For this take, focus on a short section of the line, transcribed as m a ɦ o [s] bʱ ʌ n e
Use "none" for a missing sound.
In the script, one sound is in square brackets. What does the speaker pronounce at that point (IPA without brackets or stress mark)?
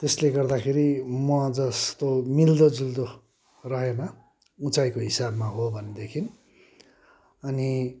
none